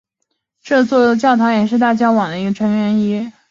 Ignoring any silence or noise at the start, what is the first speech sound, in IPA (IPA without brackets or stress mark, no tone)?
ʈ͡ʂ